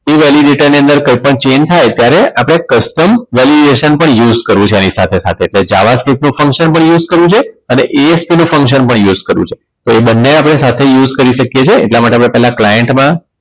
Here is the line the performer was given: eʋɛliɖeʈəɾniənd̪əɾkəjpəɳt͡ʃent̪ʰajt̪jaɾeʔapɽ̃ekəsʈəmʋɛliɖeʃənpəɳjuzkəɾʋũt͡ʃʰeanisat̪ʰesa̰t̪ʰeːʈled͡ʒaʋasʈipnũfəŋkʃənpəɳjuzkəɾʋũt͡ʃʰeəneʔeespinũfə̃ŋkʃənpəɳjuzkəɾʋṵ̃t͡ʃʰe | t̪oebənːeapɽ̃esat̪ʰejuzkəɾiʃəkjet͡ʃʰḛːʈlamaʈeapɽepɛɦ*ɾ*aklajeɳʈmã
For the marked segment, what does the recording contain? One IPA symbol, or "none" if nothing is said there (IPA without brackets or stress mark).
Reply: l